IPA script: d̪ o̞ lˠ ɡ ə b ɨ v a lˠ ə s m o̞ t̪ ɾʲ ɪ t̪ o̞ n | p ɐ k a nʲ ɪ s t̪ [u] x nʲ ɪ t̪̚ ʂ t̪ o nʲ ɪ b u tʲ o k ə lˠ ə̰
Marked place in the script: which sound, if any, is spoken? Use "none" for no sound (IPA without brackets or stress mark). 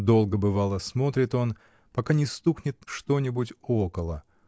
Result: u